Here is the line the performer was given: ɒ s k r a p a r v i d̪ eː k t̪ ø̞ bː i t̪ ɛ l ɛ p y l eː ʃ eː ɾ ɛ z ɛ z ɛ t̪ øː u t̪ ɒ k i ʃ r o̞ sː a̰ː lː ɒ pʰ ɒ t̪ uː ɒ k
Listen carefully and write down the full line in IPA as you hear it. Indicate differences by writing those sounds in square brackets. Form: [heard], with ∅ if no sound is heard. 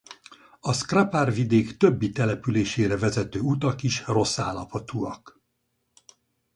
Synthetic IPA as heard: ɒ s k r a p a r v i d̪ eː k t̪ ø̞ bː i t̪ ɛ l ɛ p y l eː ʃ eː ɾ ɛ [v] ɛ z ɛ t̪ øː u t̪ ɒ k i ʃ r o̞ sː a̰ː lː ɒ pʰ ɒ t̪ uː ɒ k